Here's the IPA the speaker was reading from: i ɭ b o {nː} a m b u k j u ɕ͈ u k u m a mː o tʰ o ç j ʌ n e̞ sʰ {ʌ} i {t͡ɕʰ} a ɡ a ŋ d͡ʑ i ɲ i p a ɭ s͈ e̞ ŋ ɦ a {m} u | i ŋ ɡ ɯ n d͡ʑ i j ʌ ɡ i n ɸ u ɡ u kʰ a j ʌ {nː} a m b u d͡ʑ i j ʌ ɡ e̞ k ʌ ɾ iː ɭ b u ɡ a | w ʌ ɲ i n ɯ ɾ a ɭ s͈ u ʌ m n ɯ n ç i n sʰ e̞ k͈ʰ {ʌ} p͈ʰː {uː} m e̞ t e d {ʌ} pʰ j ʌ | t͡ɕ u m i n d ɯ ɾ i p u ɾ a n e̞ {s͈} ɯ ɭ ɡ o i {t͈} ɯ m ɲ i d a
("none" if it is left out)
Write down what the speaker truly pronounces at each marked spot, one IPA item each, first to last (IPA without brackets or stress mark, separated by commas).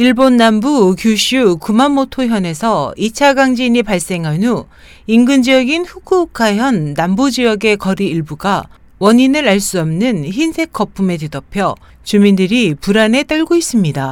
nː, ʌ, t͡ɕʰ, n, nː, ʌ, u, ʌ, t͈, s͈